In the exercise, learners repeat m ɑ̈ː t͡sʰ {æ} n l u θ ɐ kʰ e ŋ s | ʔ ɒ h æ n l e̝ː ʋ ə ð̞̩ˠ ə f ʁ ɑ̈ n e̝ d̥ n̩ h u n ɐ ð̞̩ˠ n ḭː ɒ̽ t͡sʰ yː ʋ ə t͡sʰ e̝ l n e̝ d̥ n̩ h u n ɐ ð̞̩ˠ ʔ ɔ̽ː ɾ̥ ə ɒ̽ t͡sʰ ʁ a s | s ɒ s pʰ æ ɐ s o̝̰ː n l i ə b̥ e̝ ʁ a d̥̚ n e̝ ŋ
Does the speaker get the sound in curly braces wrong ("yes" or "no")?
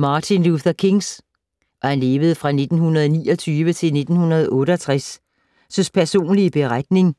yes